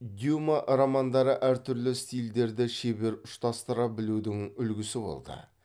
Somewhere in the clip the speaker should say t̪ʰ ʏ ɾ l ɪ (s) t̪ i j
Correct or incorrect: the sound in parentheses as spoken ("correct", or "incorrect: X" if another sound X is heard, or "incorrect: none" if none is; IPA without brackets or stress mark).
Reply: correct